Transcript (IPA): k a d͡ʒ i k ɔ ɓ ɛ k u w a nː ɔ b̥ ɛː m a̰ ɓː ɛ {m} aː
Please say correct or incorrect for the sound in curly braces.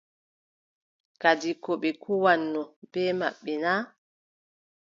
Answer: incorrect: n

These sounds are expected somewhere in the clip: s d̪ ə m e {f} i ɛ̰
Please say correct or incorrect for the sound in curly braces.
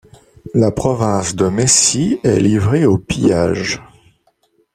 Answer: incorrect: s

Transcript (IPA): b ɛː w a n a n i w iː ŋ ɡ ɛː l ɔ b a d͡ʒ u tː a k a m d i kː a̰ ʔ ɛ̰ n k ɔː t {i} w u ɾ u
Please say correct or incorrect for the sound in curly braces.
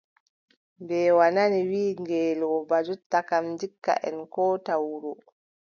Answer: incorrect: a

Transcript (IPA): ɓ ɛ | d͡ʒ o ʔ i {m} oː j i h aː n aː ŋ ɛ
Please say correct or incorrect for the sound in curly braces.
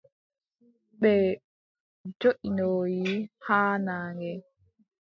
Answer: incorrect: n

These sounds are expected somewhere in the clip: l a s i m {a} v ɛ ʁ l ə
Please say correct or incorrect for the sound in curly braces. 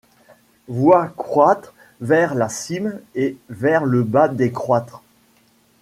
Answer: incorrect: e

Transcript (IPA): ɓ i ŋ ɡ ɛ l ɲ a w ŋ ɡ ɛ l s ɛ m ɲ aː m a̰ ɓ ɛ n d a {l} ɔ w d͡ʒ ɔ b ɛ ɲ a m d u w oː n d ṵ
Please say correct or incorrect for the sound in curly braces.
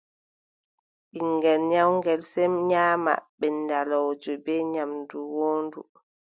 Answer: correct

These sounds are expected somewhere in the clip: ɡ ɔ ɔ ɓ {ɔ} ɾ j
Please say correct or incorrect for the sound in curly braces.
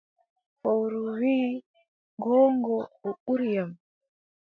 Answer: incorrect: u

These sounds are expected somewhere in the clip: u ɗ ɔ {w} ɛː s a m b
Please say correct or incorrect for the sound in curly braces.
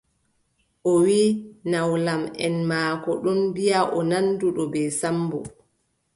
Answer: incorrect: b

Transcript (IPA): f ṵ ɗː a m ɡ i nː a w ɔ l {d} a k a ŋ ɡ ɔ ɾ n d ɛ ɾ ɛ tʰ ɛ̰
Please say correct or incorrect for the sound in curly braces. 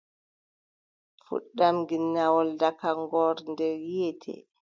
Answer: correct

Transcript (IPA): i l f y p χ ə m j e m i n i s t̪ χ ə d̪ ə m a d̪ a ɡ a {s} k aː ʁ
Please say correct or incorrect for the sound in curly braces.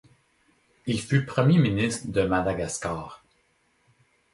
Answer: correct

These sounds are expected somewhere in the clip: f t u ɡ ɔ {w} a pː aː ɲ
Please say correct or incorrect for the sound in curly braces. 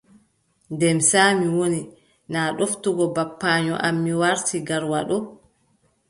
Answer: incorrect: b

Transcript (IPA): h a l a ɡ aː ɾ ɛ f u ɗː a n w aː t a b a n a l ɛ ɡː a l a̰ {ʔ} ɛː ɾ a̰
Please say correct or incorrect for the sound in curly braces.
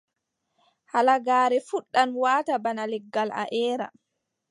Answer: correct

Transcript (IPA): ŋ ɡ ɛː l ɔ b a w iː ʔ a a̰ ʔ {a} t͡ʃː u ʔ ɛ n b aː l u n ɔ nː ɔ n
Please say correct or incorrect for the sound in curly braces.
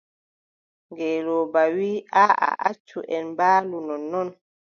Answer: correct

